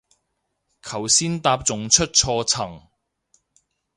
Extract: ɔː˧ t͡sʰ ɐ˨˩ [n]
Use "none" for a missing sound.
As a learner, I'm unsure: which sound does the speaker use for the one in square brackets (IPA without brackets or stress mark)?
ŋ